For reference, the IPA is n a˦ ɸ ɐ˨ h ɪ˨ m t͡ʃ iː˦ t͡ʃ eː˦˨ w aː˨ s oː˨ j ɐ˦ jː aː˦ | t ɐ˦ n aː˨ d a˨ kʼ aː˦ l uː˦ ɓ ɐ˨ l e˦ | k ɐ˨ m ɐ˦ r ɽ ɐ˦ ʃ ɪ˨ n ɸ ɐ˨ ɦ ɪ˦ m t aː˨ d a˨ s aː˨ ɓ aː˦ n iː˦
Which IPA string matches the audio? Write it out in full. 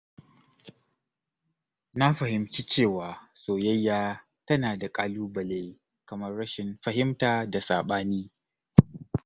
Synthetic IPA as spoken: n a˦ ɸ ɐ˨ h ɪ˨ m t͡ʃ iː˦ t͡ʃ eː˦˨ w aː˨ s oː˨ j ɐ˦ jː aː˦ | t ɐ˦ n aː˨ d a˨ kʼ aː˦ l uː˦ b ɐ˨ l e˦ | k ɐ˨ m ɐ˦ r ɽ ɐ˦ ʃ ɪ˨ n ɸ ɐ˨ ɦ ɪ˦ m t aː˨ d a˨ s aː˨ ɓ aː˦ n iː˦

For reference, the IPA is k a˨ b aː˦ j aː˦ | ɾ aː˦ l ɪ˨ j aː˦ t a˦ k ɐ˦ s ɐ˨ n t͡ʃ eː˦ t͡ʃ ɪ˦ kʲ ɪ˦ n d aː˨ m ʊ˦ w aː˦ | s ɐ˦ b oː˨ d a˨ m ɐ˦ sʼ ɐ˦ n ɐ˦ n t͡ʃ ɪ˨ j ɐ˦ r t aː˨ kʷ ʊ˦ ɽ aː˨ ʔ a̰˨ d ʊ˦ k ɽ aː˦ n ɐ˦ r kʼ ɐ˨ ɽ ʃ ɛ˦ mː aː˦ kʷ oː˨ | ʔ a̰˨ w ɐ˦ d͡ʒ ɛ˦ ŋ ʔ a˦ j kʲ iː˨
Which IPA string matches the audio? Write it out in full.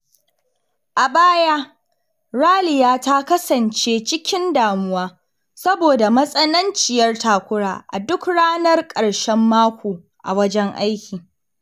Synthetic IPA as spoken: ʔ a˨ b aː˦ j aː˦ | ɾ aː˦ l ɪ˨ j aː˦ t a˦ k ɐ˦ s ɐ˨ n t͡ʃ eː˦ t͡ʃ ɪ˦ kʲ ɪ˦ n d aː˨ m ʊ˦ w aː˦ | s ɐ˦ b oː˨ d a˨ m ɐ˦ sʼ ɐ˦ n ɐ˦ n t͡ʃ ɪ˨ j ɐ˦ r t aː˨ kʷ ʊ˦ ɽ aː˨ ʔ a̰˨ d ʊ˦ k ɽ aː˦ n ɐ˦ r kʼ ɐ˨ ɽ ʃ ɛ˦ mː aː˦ kʷ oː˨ | ʔ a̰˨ w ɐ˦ d͡ʒ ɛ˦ ŋ ʔ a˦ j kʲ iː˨

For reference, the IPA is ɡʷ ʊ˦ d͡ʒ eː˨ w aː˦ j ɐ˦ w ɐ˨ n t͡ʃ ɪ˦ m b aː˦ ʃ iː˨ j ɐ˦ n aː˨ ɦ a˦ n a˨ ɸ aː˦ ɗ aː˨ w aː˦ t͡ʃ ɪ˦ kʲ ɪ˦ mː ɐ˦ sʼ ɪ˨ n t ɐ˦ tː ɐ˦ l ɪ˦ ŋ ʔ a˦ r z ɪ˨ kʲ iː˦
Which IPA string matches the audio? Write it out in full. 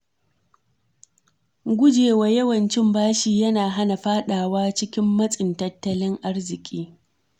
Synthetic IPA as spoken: ɡʷ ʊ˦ d͡ʒ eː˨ w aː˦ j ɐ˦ w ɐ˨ n t͡ʃ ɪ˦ m b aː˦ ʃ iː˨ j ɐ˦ n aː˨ ɦ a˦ n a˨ ɸ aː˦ ɗ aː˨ w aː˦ t͡ʃ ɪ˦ kʲ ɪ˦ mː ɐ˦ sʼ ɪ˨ n t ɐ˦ tː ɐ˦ l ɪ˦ ŋ ʔ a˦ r z ɪ˨ kʲʼ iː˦

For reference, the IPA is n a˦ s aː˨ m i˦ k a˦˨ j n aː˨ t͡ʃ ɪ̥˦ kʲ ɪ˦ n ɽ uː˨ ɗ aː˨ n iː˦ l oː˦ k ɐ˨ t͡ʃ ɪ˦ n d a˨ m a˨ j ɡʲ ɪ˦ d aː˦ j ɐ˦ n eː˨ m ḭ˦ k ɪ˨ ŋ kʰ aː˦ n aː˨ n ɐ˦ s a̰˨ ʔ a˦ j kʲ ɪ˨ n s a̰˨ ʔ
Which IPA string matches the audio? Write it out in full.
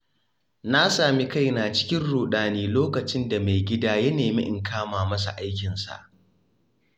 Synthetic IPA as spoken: n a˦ s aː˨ m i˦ k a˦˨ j n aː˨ t͡ʃ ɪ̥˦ kʲ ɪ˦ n ɽ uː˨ ɗ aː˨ n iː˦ l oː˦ k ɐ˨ t͡ʃ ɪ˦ n d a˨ m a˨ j ɡʲ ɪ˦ d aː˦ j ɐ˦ n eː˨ m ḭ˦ ʔ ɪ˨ ŋ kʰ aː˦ m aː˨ m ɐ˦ s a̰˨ ʔ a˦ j kʲ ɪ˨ n s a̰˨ ʔ

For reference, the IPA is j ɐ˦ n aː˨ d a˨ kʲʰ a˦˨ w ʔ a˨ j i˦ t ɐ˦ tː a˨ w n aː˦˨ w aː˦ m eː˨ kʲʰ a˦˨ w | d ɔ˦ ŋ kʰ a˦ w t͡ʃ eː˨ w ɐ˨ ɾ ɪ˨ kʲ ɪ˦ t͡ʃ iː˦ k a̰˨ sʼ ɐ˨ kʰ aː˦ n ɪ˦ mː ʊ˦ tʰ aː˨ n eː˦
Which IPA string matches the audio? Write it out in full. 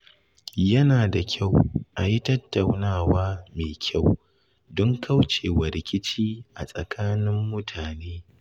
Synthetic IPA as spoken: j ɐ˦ n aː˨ d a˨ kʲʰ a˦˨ w ʔ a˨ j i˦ t ɐ˦ tː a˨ w n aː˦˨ w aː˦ m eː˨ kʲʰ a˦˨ w | d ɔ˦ ŋ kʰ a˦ w t͡ʃ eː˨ w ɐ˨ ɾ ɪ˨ kʲ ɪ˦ t͡ʃ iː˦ ʔ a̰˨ sʼ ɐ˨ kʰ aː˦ n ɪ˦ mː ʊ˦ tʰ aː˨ n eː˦

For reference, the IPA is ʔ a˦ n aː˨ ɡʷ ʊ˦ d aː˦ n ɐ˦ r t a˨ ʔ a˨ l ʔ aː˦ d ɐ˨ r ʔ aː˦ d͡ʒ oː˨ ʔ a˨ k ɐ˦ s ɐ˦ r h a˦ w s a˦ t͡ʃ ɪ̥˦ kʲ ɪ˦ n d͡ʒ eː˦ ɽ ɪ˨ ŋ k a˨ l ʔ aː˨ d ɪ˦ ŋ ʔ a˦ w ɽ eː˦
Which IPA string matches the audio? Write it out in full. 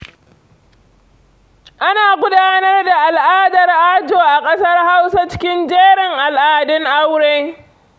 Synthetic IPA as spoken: ʔ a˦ n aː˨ ɡʷ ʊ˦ d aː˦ n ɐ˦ r d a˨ ʔ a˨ l ʔ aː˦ d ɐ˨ r ʔ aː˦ d͡ʒ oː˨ ʔ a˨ kʼ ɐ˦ s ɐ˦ r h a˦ w s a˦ t͡ʃ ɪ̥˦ kʲ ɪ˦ n d͡ʒ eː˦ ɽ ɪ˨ ŋ ʔ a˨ l ʔ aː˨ d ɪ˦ ŋ ʔ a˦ w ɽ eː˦

